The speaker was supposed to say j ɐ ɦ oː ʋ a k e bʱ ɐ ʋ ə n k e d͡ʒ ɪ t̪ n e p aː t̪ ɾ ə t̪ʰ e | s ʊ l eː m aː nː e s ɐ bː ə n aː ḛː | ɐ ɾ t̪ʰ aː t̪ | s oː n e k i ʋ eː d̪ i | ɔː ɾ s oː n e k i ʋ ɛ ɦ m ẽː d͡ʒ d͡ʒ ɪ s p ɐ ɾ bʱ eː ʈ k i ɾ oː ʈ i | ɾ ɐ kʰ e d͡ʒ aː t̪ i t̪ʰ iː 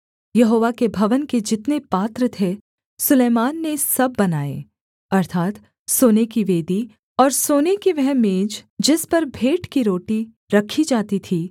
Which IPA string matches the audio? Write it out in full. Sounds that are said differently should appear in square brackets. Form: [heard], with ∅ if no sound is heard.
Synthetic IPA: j ɐ ɦ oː ʋ a k e bʱ ɐ ʋ ə n k e d͡ʒ ɪ t̪ n e p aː t̪ ɾ ə t̪ʰ e | s ʊ l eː m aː nː e s ɐ bː [ɐ] n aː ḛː | ɐ ɾ t̪ʰ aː t̪ | s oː n e k i ʋ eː d̪ i | ɔː ɾ s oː n e k i ʋ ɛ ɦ m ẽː d͡ʒ d͡ʒ ɪ s p ɐ ɾ bʱ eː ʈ k i ɾ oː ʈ i | ɾ ɐ kʰ [i] d͡ʒ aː t̪ i t̪ʰ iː